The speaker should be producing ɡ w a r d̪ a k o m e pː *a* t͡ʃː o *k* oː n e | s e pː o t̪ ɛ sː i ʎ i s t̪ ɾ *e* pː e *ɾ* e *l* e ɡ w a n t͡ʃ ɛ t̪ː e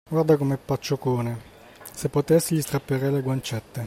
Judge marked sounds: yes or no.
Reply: yes, yes, no, yes, yes

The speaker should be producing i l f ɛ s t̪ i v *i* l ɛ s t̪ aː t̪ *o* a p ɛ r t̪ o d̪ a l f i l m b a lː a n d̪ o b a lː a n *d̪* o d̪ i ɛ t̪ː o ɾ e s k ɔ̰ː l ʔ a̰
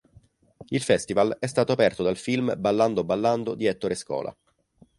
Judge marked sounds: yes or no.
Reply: no, yes, yes

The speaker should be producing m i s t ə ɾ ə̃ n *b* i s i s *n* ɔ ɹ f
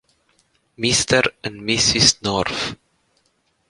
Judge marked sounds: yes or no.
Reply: no, yes

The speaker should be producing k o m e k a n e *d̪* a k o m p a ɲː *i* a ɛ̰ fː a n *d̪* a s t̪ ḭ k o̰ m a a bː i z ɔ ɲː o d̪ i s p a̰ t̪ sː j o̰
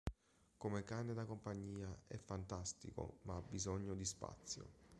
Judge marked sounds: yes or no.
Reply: yes, no, no

